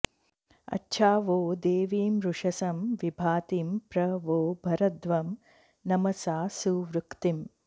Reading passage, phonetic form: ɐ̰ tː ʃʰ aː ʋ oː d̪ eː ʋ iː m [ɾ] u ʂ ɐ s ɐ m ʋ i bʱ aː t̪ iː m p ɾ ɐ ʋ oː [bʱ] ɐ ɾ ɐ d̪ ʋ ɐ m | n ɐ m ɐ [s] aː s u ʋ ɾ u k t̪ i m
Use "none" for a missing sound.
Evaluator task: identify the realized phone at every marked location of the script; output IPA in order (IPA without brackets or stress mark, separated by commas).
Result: ɾ, bʱ, s